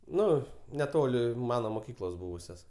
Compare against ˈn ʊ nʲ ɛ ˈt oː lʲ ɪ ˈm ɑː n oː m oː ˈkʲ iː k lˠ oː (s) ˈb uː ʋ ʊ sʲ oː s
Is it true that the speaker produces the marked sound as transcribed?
yes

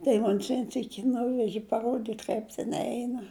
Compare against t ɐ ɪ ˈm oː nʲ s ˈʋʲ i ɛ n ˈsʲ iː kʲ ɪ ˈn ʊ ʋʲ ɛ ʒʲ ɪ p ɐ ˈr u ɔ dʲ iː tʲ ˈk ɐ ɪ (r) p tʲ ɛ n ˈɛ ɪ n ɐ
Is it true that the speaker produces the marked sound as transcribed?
no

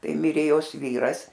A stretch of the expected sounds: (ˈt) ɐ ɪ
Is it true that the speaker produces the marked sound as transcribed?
yes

